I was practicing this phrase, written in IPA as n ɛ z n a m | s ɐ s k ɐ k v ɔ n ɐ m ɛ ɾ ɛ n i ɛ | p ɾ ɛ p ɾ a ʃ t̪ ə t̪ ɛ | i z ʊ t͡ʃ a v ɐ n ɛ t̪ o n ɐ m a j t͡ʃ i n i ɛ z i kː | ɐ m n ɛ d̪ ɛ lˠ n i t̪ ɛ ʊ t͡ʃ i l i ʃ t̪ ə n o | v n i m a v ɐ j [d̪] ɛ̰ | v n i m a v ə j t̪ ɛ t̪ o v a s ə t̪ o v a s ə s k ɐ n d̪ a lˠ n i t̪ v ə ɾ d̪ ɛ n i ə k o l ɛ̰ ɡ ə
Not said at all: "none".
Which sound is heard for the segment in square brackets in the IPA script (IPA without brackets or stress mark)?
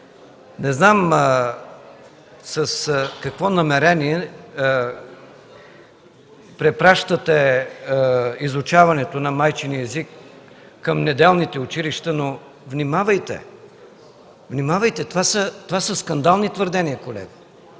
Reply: t̪